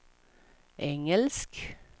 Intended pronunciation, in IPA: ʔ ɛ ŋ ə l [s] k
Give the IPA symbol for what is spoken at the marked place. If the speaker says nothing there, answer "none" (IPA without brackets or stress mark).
s